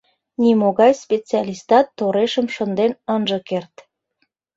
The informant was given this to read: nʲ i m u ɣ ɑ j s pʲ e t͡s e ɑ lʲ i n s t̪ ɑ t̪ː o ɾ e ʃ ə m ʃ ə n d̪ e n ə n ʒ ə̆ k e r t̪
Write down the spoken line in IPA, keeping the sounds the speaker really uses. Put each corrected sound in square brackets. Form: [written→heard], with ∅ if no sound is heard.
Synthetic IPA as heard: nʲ i m [u→o] ɣ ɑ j s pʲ e t͡s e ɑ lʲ i [n→∅] s t̪ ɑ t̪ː o ɾ e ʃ ə m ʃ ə n d̪ e n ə n ʒ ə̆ k e r t̪